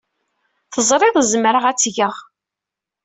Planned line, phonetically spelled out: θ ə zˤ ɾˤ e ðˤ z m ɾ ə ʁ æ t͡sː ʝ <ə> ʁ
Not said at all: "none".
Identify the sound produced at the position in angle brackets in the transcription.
ə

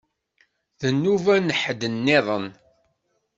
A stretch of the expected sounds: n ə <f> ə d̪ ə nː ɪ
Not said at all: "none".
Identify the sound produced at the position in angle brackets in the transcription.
ħ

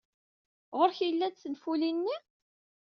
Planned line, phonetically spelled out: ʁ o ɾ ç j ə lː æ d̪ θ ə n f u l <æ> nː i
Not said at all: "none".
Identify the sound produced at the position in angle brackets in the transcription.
i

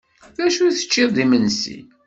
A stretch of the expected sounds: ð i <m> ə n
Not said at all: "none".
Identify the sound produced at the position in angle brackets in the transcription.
m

